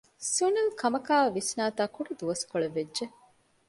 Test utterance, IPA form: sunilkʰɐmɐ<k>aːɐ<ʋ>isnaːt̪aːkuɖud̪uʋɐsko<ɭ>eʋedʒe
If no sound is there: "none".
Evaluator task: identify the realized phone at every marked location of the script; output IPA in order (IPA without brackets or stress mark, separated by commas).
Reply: k, ʋ, ɭ